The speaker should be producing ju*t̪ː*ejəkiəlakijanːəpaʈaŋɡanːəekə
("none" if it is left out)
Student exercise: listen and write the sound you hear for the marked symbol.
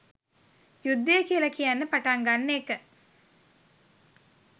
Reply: d̪ː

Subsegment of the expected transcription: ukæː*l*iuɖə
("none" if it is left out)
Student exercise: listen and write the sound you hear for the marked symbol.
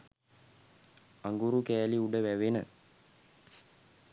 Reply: l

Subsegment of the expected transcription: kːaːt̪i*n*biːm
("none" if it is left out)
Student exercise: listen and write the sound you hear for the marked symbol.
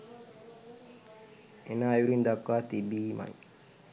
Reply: none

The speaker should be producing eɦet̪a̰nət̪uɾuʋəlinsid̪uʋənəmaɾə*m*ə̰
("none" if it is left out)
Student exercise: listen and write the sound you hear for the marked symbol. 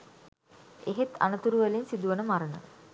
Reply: n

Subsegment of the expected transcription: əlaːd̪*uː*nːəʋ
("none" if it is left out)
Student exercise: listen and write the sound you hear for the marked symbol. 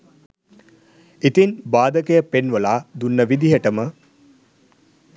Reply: u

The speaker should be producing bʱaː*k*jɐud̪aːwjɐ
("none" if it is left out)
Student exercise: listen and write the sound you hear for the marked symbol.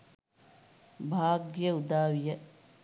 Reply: ɡ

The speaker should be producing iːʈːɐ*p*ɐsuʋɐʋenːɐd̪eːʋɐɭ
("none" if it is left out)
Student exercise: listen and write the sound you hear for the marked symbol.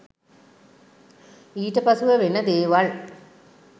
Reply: p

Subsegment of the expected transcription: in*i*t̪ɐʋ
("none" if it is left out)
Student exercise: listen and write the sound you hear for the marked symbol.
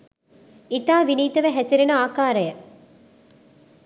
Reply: iː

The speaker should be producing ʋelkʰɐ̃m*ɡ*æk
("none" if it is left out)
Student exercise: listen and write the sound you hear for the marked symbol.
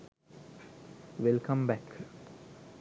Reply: b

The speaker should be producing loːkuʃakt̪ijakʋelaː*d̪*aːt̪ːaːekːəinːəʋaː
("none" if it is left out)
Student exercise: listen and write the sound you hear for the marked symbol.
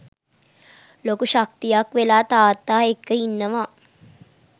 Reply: t̪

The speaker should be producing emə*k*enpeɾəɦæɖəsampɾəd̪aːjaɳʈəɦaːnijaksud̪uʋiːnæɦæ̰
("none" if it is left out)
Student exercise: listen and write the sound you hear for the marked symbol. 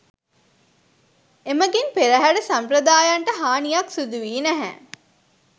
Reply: ɡ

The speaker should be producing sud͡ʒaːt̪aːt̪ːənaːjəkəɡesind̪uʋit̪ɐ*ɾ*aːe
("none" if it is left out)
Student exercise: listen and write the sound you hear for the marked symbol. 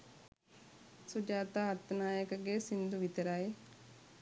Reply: ɾ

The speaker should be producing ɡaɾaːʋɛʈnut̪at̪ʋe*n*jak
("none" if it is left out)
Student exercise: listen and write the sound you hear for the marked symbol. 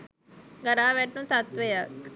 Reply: none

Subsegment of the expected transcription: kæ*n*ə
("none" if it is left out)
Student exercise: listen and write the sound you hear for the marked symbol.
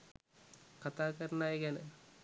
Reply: n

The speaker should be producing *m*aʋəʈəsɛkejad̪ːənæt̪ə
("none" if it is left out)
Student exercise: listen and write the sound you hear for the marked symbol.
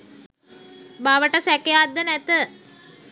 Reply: b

